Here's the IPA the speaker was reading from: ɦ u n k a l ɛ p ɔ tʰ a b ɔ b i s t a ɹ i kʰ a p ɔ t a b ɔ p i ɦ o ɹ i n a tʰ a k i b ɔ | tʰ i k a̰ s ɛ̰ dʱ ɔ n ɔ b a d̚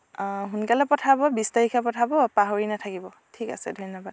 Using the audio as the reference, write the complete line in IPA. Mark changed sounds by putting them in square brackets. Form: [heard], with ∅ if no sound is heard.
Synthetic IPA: ɦ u n k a l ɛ p ɔ tʰ a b ɔ b i s t a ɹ i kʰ a p ɔ [tʰ] a b ɔ p [a] ɦ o ɹ i n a tʰ a k i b ɔ | tʰ i k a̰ s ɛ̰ dʱ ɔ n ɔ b a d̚